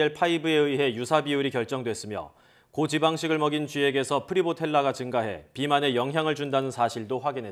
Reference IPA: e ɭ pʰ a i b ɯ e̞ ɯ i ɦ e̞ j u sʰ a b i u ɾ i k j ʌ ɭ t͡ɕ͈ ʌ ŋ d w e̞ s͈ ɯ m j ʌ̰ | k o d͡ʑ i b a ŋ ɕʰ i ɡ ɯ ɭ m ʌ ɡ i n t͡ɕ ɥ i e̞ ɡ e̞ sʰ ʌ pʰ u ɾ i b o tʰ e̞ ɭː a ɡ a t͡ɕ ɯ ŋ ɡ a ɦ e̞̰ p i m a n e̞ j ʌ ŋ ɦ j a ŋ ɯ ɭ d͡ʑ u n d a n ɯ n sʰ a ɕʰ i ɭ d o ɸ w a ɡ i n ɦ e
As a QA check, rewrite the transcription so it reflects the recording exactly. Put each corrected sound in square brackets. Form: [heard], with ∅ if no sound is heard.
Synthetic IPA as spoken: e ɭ pʰ a i b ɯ e̞ ɯ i ɦ e̞ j u sʰ a b i u ɾ i k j ʌ ɭ t͡ɕ͈ ʌ ŋ d w e̞ s͈ ɯ m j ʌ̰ | k o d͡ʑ i b a ŋ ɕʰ i ɡ ɯ ɭ m ʌ ɡ i n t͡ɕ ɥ i e̞ ɡ e̞ sʰ ʌ pʰ [ɯ] ɾ i b o tʰ e̞ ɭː a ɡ a t͡ɕ ɯ ŋ ɡ a ɦ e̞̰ p i m a n e̞ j ʌ ŋ ɦ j a ŋ ɯ ɭ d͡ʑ u n d a n ɯ n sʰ a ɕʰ i ɭ d o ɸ w a ɡ i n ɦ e